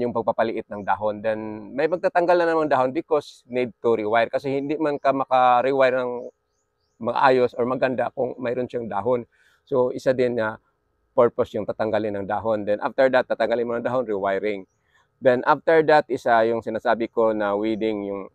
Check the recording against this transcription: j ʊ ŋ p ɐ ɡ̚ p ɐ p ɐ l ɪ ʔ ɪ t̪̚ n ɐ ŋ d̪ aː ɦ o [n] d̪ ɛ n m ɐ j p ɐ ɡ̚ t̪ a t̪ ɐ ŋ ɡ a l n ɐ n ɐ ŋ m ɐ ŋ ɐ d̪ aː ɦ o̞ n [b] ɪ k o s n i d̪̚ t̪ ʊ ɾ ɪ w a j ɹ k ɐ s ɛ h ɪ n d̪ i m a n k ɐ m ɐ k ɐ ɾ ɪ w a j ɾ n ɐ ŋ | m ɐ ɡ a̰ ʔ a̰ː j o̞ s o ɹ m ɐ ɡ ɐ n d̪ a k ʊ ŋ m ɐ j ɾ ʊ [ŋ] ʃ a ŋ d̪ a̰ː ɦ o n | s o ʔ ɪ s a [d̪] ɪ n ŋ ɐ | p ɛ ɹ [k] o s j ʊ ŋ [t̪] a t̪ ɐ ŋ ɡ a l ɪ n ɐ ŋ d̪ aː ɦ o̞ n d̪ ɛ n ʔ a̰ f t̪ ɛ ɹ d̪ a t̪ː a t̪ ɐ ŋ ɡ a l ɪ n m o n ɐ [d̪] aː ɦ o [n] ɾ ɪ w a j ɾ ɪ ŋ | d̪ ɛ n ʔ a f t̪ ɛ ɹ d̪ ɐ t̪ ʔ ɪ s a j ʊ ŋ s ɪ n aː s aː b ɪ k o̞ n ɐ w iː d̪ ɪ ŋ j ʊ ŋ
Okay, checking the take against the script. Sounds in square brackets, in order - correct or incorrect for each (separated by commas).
correct, correct, incorrect, correct, incorrect, correct, correct, correct